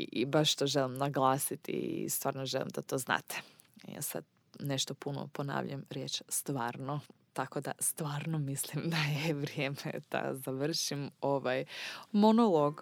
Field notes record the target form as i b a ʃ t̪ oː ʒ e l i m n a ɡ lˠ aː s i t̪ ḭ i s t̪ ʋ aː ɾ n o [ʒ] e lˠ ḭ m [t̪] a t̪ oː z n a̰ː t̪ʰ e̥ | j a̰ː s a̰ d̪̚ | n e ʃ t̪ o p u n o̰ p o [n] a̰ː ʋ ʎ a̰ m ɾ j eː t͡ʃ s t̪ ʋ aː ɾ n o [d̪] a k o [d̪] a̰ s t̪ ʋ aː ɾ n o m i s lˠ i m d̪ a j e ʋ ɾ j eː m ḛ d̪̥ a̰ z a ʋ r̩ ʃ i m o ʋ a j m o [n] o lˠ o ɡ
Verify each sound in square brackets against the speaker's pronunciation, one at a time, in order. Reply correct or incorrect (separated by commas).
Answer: correct, incorrect, correct, incorrect, correct, correct